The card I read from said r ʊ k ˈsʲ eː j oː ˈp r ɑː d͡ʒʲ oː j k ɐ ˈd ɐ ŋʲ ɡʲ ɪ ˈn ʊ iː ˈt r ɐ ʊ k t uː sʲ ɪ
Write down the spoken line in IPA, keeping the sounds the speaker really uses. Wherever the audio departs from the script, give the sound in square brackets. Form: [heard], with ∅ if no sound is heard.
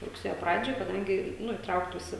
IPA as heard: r ʊ k ˈsʲ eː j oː ˈp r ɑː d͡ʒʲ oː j k ɐ ˈd ɐ ŋʲ ɡʲ ɪ ˈn ʊ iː ˈt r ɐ ʊ k t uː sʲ ɪ